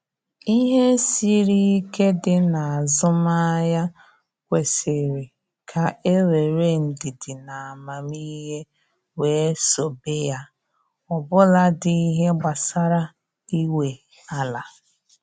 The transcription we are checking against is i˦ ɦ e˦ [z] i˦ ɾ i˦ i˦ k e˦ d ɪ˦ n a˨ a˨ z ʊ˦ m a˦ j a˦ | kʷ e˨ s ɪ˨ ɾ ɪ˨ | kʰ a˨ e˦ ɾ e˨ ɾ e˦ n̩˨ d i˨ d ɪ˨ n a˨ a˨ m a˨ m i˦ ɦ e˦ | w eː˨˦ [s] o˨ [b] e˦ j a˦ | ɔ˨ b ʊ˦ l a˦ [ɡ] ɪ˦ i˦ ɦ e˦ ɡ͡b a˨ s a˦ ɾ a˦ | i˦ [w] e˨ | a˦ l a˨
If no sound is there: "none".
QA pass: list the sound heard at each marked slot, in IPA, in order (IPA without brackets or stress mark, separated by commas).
s, s, b, d, w